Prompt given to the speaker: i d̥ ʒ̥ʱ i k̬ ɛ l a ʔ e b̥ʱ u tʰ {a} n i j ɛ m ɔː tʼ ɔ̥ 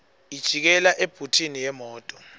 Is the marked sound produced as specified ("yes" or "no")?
no